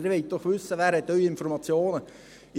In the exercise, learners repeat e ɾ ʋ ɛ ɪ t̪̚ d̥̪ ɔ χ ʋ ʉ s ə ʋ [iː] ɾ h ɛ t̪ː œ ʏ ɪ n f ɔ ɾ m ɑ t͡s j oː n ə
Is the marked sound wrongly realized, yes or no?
yes